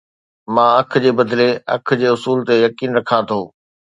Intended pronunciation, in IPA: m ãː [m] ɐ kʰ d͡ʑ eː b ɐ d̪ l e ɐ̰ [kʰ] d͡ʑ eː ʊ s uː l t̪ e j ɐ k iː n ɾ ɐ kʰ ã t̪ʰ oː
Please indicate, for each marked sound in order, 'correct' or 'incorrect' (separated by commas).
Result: incorrect, correct